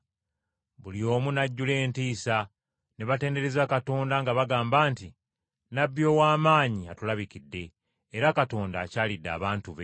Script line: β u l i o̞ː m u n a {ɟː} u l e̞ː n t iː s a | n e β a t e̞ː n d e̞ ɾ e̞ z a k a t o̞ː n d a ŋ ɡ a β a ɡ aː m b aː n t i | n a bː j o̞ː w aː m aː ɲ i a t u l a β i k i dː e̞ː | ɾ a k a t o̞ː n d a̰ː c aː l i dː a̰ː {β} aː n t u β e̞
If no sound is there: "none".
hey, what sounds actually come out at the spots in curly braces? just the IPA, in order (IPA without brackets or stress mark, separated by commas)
ɟː, β